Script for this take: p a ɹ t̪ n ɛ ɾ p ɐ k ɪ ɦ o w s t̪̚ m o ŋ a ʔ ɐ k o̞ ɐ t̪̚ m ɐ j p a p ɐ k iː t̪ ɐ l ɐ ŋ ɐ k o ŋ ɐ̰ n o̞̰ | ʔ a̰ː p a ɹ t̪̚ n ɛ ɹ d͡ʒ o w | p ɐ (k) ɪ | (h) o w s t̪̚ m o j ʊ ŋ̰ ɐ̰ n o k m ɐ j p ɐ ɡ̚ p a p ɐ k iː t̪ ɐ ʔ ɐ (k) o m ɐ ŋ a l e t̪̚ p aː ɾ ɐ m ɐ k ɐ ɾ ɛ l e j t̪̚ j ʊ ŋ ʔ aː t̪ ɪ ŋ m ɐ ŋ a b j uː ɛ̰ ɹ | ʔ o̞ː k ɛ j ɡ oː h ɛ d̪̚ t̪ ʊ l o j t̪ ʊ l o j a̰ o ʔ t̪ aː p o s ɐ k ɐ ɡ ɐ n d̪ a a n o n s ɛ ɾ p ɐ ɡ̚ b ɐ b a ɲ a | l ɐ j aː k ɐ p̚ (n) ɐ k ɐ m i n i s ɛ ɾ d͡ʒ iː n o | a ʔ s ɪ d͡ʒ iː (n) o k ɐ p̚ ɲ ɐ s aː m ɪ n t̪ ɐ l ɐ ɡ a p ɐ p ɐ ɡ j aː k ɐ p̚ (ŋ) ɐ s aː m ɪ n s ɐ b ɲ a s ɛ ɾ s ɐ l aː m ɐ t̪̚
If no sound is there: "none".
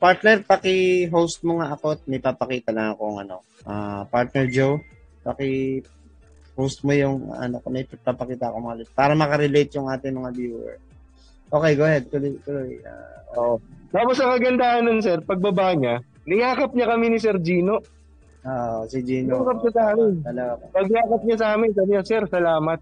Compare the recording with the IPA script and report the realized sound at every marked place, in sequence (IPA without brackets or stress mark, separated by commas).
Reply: k, h, k, ɲ, n, ɲ